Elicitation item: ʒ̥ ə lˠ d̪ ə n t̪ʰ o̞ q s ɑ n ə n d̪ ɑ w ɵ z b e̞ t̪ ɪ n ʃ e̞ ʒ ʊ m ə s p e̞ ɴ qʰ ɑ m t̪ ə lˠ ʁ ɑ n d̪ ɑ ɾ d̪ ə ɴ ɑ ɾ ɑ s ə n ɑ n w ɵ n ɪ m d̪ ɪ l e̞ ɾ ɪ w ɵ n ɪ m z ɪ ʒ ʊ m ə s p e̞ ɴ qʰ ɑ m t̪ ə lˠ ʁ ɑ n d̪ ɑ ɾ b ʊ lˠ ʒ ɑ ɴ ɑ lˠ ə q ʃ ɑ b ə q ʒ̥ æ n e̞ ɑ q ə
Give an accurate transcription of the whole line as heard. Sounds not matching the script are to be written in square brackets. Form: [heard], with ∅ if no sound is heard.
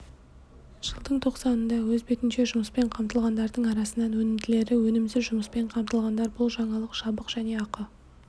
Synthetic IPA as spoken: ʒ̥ ə lˠ d̪ ə [ɴ] t̪ʰ o̞ q s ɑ n ə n d̪ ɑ w ɵ z b e̞ t̪ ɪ n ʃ e̞ ʒ ʊ m ə s p e̞ ɴ qʰ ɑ m t̪ ə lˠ ʁ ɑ n d̪ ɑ ɾ d̪ ə ɴ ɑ ɾ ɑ s ə n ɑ n w ɵ n ɪ m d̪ ɪ l e̞ ɾ ɪ w ɵ n ɪ m z ɪ ʒ ʊ m ə s p e̞ ɴ qʰ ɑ m t̪ ə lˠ ʁ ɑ n d̪ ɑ ɾ b ʊ lˠ ʒ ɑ ɴ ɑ lˠ ə q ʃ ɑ b ə q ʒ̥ æ n e̞ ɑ q ə